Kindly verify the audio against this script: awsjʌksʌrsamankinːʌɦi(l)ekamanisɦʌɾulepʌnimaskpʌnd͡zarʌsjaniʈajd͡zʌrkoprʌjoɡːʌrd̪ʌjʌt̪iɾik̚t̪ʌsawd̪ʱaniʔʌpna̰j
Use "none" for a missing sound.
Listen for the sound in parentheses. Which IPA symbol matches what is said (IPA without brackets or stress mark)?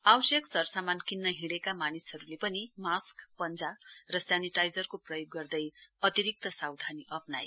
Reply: ɽ